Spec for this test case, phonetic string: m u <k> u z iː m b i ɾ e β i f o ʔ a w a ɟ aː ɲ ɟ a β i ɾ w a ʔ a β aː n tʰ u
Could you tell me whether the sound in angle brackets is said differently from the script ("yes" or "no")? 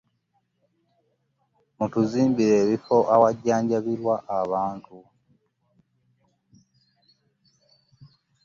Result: yes